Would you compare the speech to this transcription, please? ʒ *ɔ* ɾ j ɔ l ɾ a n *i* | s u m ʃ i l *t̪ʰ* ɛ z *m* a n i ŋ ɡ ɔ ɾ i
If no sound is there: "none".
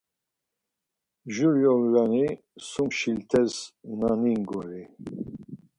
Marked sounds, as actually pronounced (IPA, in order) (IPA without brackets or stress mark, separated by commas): u, i, t̪ʰ, n